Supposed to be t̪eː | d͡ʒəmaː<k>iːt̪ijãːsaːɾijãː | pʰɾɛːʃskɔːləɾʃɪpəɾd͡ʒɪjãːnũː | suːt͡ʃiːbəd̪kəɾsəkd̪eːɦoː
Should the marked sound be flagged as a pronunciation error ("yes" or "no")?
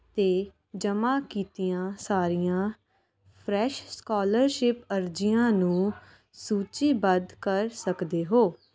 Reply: no